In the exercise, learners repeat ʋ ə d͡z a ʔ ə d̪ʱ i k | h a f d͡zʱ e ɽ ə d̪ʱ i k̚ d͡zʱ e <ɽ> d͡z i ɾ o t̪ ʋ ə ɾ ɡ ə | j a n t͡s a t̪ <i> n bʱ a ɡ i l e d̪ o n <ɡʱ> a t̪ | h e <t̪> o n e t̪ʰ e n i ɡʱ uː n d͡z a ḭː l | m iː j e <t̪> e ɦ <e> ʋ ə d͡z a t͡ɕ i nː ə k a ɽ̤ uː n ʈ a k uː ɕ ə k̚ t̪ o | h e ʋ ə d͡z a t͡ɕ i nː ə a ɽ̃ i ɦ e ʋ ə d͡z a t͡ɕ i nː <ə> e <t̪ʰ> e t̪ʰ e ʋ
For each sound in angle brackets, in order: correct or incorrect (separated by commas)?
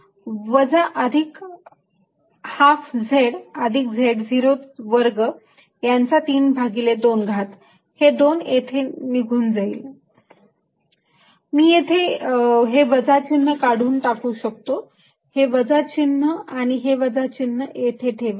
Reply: correct, incorrect, correct, incorrect, incorrect, correct, correct, correct